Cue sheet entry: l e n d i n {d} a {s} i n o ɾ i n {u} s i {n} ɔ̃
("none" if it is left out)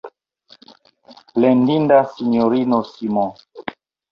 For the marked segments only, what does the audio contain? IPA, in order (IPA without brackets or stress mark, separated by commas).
d, s, o, m